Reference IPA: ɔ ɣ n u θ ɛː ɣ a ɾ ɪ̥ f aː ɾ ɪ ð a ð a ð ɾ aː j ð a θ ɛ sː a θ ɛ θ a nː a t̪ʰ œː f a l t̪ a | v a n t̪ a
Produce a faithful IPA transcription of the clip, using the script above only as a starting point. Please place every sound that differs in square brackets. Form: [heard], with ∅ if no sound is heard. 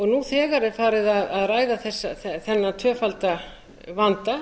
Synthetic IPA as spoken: ɔ ɣ n u θ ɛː ɣ a ɾ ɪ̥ f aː ɾ ɪ ð a ð a ð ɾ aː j ð a θ ɛ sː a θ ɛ θ [ɛ] nː a t̪ʰ œː f a l t̪ a | v a n t̪ a